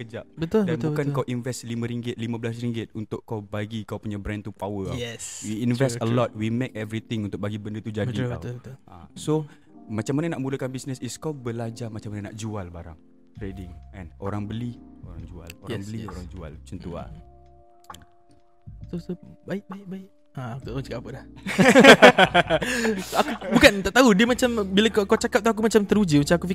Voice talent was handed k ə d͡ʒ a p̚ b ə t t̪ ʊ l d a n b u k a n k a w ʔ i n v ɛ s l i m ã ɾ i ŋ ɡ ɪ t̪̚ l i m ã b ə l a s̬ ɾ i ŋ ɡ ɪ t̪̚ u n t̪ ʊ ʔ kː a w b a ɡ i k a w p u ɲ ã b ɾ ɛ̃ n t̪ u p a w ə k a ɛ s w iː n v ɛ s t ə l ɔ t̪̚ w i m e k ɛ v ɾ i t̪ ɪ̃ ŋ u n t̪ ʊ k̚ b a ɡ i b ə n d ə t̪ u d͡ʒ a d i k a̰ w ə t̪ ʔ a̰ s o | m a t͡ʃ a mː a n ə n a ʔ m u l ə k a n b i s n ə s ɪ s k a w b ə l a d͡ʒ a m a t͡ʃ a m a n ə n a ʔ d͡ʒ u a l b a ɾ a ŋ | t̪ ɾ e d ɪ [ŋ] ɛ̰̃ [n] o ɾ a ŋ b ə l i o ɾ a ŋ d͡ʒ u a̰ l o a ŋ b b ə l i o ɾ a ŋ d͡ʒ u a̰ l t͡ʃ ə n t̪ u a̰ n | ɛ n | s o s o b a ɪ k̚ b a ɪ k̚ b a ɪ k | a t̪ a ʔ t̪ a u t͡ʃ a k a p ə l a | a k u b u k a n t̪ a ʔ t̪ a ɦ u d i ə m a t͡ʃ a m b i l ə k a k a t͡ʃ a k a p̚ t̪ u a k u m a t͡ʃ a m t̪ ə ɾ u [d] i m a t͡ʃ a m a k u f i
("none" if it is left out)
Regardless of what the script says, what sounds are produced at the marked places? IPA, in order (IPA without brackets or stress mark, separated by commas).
ŋ, n, d͡ʒ